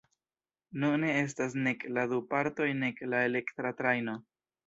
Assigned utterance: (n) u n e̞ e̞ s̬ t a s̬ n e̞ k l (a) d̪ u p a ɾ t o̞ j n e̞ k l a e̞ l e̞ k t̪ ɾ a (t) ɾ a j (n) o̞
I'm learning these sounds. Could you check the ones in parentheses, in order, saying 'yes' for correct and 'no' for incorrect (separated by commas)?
yes, yes, yes, yes